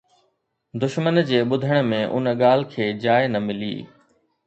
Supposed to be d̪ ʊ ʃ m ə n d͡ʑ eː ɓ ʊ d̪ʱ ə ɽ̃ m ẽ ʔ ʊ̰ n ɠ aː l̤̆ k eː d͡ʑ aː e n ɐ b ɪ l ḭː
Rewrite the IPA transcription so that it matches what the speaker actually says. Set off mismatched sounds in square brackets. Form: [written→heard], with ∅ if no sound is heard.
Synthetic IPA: d̪ ʊ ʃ m ə n d͡ʑ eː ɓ ʊ d̪ʱ ə ɽ̃ m ẽ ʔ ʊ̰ n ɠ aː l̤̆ [k→kʰ] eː d͡ʑ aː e n ɐ [b→m] ɪ l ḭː